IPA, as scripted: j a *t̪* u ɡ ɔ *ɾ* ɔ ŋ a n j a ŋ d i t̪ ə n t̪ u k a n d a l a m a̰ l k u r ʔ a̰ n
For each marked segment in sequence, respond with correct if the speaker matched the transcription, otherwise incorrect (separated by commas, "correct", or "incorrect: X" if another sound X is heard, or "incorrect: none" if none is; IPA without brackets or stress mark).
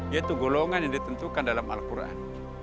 correct, incorrect: l